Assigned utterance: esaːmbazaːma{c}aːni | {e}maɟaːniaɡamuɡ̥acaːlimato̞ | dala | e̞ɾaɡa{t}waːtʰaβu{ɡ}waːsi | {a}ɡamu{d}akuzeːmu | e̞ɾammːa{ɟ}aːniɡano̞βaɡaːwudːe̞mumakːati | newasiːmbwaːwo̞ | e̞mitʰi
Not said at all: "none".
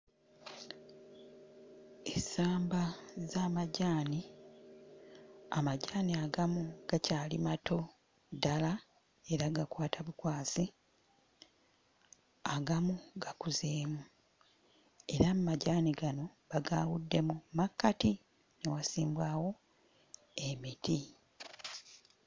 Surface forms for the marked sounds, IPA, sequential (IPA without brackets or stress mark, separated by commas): ɟ, a, k, k, a, ɡ, ɟ